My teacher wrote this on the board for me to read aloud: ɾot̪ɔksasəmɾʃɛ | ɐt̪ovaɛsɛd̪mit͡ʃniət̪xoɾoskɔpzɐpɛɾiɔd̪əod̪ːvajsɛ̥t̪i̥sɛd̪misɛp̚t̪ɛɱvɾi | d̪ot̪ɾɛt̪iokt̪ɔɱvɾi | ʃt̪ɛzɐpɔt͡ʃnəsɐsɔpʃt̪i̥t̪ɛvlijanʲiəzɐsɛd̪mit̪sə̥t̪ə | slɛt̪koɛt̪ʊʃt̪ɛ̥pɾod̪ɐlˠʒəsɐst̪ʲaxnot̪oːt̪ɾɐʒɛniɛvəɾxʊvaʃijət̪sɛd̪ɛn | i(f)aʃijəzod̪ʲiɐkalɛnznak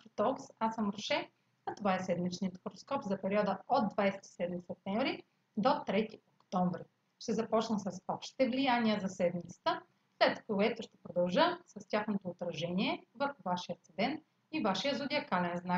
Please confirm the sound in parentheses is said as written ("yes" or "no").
no